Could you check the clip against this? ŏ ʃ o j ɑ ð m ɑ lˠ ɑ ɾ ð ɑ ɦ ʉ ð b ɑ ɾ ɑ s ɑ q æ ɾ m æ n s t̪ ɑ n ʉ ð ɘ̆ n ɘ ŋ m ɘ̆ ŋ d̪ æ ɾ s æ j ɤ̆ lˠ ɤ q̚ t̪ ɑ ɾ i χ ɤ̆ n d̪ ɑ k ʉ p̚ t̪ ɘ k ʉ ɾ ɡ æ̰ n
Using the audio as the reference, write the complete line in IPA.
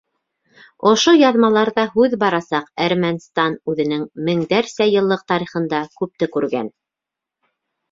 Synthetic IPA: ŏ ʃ o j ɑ ð m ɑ lˠ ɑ ɾ ð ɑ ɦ ʉ ð b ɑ ɾ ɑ s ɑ q æ ɾ m æ n s t̪ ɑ n ʉ ð ɘ̆ n ɘ ŋ m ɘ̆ ŋ d̪ æ ɾ s æ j ɤ̆ lˠː ɤ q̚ t̪ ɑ ɾ i χ ɤ̆ n d̪ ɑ k ʉ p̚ t̪ ɘ k ʉ ɾ ɡ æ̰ n